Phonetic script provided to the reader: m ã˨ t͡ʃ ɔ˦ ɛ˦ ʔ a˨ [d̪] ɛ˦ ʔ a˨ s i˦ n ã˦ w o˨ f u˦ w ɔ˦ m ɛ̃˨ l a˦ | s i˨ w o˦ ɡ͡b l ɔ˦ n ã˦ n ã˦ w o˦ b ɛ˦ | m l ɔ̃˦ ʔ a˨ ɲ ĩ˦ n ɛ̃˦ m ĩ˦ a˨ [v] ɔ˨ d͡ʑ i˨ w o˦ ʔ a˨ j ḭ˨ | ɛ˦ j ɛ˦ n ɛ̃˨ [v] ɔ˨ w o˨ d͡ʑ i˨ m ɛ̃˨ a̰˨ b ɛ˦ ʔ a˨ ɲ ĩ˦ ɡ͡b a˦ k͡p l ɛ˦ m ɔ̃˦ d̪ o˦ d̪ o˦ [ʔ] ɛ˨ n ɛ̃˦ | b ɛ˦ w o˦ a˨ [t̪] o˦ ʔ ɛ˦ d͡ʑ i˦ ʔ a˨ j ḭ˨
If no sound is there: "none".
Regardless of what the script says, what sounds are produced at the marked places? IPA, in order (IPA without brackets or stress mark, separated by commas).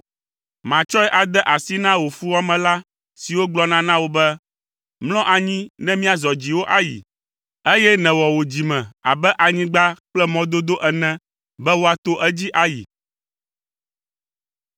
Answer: d̪, z, w, ʔ, t̪